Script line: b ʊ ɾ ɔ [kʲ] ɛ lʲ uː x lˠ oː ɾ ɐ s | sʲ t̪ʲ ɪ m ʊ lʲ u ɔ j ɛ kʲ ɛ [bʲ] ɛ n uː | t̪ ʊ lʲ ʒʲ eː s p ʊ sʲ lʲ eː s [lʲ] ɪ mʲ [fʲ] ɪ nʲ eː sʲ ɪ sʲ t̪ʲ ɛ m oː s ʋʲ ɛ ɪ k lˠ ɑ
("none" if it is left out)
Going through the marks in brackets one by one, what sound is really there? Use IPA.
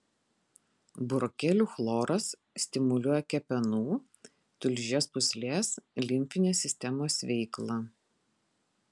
kʲ, pʲ, lʲ, fʲ

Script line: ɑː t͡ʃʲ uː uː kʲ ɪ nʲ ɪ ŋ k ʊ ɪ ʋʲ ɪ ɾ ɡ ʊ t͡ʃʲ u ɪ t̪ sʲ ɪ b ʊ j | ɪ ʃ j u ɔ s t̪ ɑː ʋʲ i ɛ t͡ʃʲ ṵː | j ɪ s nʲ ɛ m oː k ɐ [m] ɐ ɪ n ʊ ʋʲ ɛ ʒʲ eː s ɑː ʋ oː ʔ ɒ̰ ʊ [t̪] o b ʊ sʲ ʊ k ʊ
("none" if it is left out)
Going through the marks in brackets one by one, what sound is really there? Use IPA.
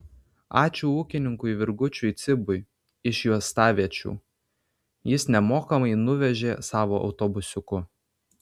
m, t̪

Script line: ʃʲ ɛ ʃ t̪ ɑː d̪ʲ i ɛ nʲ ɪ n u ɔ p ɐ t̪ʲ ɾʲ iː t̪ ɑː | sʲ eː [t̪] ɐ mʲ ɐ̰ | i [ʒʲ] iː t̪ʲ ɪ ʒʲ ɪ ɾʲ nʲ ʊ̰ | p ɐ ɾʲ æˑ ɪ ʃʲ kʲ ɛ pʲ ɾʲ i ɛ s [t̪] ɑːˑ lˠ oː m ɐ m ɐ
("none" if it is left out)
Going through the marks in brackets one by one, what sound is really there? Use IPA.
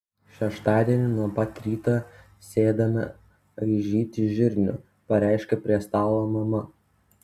d̪, ʒʲ, t̪

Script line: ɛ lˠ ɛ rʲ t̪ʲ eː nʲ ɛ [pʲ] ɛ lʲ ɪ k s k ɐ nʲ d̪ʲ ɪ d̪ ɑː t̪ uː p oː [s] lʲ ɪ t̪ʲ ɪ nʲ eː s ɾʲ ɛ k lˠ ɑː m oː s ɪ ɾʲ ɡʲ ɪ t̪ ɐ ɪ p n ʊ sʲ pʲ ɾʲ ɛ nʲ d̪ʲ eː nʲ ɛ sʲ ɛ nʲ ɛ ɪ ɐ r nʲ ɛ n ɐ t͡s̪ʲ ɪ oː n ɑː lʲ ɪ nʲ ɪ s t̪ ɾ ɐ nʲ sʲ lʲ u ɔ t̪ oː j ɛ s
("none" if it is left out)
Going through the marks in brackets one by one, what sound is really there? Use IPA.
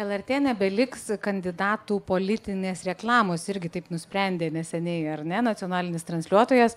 bʲ, none

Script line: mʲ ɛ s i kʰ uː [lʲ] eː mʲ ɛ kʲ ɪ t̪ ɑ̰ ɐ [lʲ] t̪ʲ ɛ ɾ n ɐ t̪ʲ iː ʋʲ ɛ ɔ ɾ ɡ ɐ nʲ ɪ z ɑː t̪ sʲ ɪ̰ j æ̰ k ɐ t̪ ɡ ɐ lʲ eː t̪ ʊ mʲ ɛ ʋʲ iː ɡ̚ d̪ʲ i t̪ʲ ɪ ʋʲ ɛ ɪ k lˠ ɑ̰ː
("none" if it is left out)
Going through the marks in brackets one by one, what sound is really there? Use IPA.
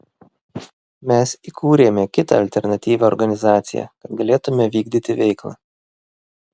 ɾʲ, lʲ

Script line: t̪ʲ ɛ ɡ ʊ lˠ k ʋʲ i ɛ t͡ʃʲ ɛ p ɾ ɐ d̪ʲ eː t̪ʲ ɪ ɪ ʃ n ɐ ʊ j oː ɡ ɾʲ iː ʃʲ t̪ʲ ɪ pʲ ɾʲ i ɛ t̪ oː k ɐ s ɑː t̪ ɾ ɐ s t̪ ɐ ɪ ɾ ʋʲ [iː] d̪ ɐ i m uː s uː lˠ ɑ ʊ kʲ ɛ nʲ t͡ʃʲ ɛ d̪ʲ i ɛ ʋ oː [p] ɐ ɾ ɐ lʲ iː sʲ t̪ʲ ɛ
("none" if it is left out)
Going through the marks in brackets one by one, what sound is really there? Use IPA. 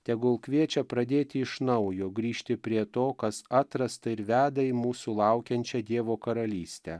æː, k

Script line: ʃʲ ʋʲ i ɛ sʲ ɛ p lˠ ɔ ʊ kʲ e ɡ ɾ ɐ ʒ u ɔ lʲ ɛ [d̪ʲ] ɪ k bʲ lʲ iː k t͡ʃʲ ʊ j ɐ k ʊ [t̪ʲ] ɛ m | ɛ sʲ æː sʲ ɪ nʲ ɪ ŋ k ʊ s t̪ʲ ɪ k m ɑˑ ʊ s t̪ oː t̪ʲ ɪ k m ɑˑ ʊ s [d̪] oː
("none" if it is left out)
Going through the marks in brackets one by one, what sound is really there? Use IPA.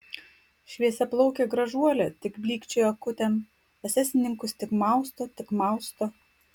t̪ʲ, t̪ʲ, t̪

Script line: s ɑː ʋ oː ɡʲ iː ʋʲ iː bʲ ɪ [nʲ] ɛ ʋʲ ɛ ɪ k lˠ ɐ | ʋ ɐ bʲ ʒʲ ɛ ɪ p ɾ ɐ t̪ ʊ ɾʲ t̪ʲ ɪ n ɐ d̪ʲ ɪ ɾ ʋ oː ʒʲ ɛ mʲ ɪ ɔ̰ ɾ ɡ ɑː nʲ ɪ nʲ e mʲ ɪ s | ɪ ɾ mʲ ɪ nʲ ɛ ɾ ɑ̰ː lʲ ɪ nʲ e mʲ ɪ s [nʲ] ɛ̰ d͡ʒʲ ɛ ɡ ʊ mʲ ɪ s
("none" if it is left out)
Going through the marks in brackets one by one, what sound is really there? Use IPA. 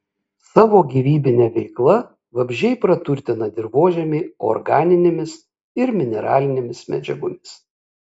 nʲ, mʲ

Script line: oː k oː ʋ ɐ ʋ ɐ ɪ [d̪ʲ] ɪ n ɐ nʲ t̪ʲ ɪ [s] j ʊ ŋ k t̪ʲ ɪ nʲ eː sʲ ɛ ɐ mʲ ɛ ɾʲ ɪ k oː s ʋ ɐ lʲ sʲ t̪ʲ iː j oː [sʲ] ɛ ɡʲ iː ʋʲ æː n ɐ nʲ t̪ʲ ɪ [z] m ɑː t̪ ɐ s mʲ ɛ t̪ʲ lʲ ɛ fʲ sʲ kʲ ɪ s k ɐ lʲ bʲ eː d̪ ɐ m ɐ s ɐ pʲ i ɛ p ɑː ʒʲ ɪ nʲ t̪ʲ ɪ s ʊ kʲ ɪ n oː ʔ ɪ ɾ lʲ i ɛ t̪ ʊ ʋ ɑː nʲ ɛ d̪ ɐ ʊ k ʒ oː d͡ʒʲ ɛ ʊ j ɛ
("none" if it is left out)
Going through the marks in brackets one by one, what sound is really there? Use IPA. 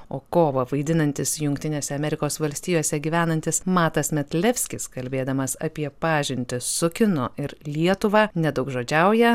d̪ʲ, s, sʲ, s

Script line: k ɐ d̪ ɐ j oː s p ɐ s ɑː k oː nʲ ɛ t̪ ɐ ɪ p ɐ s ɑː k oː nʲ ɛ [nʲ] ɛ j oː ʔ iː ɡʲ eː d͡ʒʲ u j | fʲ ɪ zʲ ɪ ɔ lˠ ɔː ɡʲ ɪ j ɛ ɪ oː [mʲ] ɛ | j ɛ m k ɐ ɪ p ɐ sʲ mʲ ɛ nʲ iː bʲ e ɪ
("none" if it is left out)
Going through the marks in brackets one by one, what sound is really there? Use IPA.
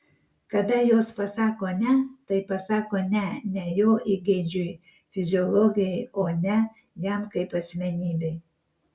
nʲ, nʲ

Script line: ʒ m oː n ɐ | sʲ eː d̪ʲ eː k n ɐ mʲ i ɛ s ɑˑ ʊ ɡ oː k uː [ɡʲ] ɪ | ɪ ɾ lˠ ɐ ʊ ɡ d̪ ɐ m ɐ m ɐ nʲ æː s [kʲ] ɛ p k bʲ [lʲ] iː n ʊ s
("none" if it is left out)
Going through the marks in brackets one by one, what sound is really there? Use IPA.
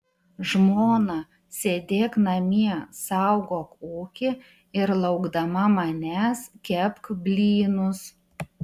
kʲ, kʲ, lʲ

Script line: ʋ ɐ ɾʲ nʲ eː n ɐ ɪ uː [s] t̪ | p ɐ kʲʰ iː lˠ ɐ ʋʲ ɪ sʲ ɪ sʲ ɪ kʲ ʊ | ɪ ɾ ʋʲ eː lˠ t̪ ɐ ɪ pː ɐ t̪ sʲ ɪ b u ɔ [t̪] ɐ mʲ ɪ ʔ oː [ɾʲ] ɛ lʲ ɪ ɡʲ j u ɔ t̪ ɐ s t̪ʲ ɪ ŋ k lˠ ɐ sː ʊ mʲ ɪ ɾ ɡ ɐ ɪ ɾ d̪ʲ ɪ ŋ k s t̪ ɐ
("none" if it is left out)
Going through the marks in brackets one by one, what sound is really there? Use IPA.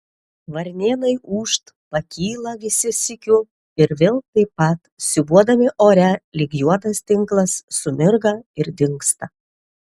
ʃ, d̪, ɾʲ

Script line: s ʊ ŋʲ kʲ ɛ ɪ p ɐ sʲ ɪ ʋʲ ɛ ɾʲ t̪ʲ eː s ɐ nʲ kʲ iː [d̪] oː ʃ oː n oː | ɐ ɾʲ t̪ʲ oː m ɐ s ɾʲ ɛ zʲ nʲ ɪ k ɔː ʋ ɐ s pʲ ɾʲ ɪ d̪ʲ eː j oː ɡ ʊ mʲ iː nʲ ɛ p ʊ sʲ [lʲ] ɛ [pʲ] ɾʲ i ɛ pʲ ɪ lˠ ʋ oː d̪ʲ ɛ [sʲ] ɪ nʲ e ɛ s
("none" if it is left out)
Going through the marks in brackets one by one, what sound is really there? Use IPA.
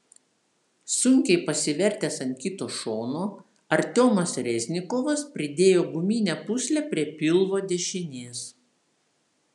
t̪, lʲ, pʲ, ʃʲ

